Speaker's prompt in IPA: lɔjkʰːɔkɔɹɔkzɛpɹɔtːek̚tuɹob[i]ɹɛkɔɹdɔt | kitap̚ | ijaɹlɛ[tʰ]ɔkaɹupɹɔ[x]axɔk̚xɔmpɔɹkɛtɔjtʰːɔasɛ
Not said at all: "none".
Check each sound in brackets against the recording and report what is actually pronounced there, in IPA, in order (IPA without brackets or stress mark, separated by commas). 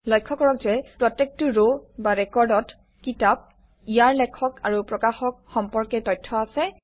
a, kʰ, k